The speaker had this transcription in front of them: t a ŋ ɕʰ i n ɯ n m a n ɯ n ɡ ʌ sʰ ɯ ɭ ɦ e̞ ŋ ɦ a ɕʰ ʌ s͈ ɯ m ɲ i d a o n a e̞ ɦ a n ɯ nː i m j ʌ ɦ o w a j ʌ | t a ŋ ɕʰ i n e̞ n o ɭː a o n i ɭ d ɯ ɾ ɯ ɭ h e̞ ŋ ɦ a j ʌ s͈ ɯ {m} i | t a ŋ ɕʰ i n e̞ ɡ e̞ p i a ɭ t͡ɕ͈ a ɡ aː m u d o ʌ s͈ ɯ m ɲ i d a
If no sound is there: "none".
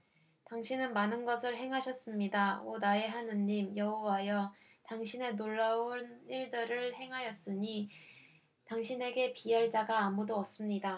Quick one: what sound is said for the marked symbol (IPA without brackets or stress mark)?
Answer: ɲ